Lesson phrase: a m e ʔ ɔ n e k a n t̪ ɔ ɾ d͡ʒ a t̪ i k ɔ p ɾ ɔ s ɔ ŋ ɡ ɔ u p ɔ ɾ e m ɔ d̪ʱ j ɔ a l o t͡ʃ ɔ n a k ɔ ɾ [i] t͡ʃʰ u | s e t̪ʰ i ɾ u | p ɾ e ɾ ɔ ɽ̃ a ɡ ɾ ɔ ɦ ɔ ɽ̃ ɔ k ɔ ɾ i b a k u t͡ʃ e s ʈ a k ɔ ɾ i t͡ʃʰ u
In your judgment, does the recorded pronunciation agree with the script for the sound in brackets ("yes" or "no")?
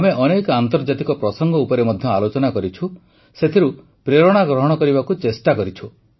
yes